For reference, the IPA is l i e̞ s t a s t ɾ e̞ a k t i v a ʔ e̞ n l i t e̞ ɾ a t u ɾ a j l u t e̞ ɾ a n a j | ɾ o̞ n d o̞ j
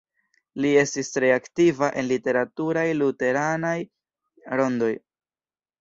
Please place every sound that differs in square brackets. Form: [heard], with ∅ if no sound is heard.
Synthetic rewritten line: l i e̞ s t [i] s t ɾ e̞ a k t i v a ʔ e̞ n l i t e̞ ɾ a t u ɾ a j l u t e̞ ɾ a n a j | ɾ o̞ n d o̞ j